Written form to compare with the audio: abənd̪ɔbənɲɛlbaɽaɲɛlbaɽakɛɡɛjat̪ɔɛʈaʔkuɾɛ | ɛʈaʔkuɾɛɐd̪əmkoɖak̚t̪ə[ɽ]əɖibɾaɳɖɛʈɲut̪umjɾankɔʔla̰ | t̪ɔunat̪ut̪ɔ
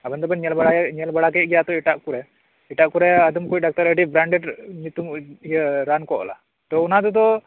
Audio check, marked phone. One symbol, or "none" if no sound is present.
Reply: ɾ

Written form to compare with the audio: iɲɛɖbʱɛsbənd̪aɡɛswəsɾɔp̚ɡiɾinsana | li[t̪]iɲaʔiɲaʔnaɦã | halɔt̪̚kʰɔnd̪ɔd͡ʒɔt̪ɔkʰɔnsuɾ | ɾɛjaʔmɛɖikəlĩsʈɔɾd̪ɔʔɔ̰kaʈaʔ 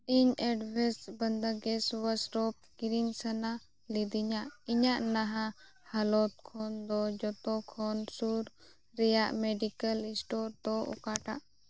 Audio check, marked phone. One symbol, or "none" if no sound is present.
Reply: d̪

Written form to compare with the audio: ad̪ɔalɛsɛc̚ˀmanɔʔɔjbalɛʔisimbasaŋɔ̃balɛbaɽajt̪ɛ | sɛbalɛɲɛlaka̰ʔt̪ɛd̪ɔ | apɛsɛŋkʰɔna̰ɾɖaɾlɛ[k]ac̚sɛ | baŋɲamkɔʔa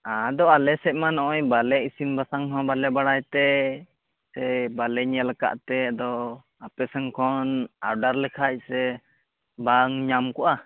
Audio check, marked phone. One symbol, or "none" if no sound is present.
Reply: kʰ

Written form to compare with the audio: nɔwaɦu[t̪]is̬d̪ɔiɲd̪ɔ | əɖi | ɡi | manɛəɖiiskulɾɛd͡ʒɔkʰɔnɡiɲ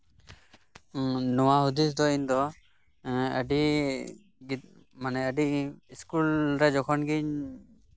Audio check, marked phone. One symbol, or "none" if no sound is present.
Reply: d̪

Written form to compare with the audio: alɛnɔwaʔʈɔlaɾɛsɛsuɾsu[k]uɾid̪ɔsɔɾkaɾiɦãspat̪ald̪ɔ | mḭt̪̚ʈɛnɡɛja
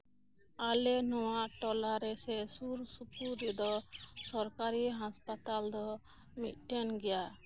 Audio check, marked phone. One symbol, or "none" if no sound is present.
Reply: p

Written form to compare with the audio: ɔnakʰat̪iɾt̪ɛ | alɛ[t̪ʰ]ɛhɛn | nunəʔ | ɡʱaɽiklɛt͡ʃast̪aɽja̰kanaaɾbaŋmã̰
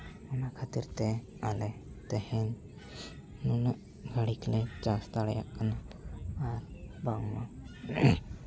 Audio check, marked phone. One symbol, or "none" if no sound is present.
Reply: t̪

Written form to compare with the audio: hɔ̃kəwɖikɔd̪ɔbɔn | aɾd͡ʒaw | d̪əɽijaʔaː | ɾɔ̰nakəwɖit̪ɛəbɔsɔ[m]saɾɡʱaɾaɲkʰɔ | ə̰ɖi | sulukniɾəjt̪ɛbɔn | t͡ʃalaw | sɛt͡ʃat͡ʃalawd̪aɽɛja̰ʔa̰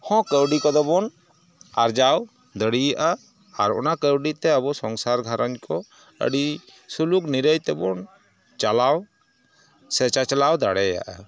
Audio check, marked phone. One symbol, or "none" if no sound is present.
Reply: ŋ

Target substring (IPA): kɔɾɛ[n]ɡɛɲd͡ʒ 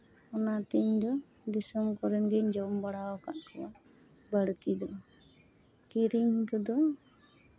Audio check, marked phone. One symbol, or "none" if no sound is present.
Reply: n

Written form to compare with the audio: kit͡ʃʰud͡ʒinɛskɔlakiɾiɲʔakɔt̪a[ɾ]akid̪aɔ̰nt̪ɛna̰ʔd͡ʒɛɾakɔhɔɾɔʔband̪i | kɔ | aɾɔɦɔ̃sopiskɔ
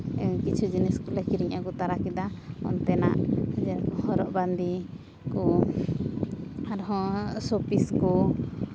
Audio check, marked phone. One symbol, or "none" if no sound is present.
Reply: ɾ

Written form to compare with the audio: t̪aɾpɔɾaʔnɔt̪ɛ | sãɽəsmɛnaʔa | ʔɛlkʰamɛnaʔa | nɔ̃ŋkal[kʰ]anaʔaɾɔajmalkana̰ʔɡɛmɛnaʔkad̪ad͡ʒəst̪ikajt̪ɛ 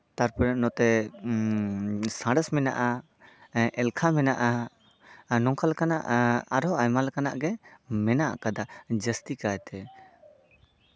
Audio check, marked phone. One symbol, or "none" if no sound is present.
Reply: k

